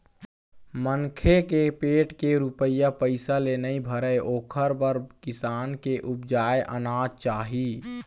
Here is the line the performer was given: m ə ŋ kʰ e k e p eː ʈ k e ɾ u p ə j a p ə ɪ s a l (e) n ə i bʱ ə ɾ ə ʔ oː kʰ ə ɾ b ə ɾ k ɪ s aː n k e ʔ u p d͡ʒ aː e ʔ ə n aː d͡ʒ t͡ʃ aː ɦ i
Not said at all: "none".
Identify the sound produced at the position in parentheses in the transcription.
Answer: e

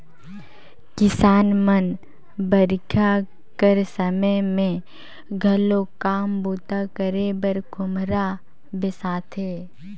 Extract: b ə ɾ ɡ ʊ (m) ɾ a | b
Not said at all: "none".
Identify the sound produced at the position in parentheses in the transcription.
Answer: m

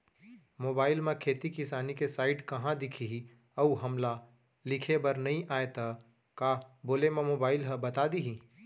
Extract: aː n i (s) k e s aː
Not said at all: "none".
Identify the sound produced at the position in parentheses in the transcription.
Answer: none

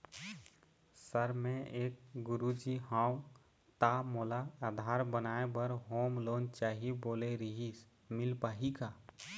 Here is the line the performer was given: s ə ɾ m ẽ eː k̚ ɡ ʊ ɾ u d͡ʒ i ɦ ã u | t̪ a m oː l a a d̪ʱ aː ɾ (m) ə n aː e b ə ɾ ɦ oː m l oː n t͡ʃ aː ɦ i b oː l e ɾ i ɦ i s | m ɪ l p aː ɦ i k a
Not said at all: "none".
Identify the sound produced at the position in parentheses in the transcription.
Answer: b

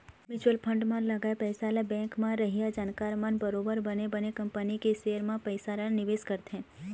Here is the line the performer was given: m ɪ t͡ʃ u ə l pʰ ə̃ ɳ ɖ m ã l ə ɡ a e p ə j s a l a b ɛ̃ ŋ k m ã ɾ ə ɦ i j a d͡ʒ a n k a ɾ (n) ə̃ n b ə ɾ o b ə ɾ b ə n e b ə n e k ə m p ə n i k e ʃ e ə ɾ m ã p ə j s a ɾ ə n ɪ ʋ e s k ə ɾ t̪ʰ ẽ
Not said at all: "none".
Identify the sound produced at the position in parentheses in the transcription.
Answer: m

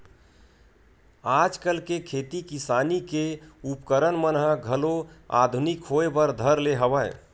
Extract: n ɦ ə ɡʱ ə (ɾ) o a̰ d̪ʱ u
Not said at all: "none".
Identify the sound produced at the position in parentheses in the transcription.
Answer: l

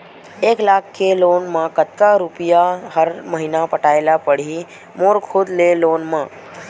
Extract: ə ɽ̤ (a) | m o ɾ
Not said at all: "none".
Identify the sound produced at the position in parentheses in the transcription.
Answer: i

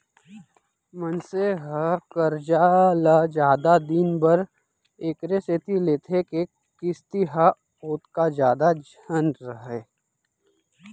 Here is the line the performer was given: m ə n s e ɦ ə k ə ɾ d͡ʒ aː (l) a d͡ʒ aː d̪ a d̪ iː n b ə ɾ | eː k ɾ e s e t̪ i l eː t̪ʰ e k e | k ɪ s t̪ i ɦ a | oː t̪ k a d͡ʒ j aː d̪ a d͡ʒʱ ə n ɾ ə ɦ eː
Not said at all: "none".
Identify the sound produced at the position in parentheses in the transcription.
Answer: l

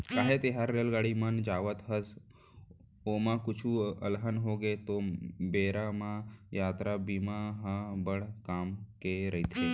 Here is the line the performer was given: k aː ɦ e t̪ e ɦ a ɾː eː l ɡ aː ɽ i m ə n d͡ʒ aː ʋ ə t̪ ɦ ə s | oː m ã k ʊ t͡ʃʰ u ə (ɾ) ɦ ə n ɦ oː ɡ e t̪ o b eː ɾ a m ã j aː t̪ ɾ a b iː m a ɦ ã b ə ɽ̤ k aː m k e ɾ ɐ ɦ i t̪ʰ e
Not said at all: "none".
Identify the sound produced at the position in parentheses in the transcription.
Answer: l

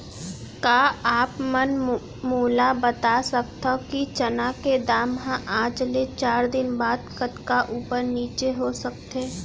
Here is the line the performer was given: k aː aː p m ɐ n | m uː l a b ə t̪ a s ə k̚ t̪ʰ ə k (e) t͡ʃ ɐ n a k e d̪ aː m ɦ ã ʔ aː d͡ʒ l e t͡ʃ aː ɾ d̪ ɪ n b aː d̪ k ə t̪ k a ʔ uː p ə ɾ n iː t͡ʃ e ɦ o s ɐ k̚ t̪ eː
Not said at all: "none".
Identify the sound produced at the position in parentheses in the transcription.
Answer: i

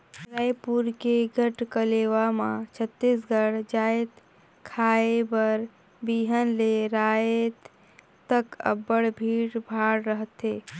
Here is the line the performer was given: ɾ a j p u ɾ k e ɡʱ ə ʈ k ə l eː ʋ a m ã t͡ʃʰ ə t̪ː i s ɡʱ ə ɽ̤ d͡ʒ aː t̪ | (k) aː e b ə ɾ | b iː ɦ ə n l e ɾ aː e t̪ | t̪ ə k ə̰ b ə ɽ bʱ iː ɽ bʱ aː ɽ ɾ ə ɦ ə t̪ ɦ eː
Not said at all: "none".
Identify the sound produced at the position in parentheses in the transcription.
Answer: kʰ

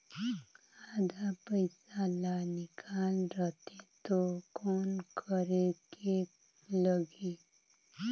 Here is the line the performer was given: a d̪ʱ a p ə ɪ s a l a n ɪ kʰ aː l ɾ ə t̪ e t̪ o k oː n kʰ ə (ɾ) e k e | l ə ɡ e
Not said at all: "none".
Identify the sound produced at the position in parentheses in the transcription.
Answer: ɾ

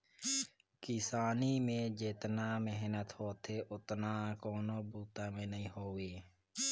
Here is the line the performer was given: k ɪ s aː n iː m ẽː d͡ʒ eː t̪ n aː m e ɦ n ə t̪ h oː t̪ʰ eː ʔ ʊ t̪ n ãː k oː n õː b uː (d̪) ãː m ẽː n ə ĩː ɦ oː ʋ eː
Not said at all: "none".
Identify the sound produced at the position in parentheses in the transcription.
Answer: t̪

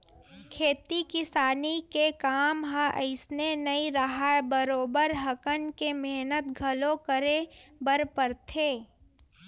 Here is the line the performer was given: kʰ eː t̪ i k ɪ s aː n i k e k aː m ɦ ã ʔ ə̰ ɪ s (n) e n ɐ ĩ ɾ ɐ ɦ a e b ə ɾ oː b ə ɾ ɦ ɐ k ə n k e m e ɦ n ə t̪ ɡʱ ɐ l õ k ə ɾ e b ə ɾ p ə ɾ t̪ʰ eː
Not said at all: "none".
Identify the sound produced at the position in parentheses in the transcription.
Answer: n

